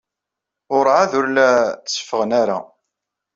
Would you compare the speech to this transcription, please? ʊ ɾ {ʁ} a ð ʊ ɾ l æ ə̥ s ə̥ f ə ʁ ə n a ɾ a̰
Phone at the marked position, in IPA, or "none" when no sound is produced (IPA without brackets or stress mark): ʕ